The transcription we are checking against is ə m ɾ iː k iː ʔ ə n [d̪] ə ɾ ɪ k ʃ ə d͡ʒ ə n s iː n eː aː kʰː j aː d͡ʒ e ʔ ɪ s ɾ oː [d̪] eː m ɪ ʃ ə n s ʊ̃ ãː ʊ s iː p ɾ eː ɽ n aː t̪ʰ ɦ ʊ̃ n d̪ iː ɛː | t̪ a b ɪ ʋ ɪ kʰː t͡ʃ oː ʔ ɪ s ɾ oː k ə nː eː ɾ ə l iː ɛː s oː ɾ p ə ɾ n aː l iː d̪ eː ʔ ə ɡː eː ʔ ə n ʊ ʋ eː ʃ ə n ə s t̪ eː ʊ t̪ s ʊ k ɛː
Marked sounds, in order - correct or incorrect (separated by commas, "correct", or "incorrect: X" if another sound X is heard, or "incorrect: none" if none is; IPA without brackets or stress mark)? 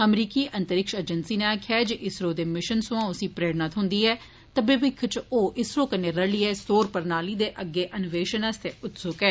incorrect: t̪, correct